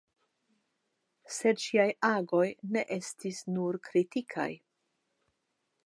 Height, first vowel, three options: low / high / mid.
mid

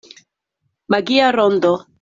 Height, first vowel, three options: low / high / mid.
low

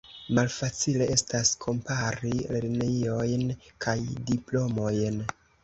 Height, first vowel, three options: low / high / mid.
low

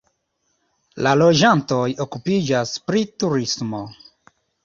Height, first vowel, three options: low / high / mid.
low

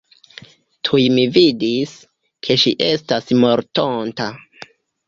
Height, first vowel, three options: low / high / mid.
high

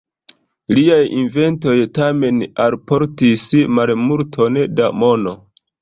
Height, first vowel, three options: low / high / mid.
high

